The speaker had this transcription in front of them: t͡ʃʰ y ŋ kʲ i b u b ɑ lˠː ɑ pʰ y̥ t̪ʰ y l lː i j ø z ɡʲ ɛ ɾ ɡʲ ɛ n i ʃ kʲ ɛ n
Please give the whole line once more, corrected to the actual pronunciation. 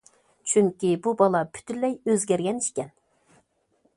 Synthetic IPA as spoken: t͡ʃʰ y ŋ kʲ i b u b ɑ lˠ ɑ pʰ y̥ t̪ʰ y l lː ɛ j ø z ɡʲ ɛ ɾ ɡʲ ɛ n i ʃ kʲ ɛ n